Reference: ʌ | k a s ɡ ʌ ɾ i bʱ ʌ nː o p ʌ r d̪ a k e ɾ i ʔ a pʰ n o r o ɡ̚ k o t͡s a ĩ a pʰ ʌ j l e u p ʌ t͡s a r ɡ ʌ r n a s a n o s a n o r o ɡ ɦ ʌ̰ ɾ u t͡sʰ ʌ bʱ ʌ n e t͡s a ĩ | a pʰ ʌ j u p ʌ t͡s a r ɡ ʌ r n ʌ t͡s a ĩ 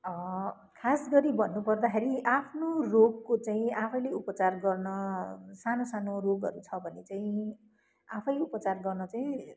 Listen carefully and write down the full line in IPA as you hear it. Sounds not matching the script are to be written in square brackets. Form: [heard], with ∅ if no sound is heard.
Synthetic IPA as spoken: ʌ | [kʰ] a s ɡ ʌ ɾ i bʱ ʌ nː [u] p ʌ r d̪ a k e ɾ i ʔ a pʰ n o r o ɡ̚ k o t͡s a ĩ a pʰ ʌ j l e u p ʌ t͡s a r ɡ ʌ r n [ʌ] s a n o s a n o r o ɡ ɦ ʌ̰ ɾ u t͡sʰ ʌ bʱ ʌ n e t͡s a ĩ | a pʰ ʌ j u p ʌ t͡s a r ɡ ʌ r n ʌ t͡s a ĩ